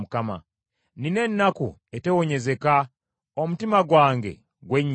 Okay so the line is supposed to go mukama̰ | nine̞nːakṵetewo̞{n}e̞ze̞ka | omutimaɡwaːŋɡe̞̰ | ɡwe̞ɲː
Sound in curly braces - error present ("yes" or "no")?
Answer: yes